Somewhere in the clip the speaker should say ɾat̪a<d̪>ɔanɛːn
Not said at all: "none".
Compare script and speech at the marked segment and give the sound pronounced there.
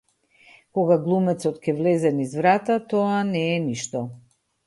t̪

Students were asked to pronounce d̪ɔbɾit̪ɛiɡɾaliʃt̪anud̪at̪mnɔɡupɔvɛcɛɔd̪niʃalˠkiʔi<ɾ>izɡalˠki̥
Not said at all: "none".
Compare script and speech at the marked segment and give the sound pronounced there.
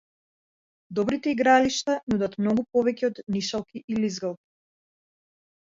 l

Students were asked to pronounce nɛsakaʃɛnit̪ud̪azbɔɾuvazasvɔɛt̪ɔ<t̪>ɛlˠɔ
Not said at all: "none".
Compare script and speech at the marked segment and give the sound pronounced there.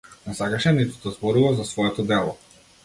d̪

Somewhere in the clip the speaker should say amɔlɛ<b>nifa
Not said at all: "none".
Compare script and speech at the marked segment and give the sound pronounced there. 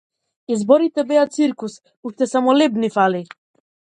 b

